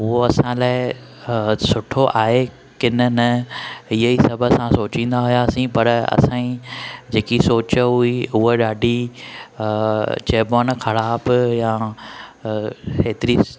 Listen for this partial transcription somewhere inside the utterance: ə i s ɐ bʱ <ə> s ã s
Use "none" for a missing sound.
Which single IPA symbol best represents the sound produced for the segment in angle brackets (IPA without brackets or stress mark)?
ə